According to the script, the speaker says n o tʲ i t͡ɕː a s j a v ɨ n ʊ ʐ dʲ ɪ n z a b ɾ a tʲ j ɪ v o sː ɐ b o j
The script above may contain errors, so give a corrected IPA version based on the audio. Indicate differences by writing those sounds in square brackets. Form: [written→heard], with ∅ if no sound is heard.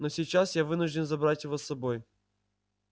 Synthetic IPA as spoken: n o [tʲ→sʲ] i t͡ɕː a s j a v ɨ n ʊ ʐ dʲ ɪ n z [a→ɐ] b ɾ a tʲ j ɪ v o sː ɐ b o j